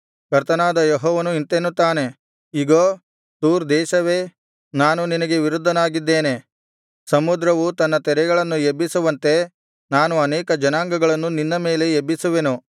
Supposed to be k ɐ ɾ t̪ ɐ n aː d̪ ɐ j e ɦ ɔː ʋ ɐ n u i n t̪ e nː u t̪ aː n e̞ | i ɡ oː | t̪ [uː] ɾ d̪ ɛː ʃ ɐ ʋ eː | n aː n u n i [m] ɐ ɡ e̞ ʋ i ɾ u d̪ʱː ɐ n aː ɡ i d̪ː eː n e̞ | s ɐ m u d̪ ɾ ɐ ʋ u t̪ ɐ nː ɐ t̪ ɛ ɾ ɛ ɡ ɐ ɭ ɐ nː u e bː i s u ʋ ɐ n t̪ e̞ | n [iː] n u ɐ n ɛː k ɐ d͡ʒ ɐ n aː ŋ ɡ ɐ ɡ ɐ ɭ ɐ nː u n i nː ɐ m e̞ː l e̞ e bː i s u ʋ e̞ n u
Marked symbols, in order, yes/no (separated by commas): yes, no, no